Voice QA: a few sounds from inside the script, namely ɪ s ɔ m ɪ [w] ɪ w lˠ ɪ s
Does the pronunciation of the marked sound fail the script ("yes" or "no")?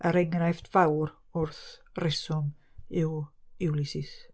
no